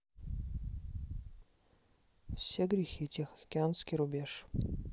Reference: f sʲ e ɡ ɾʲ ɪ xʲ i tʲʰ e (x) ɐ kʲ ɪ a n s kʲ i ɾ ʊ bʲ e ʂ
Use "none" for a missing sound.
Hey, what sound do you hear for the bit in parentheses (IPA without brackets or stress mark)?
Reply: x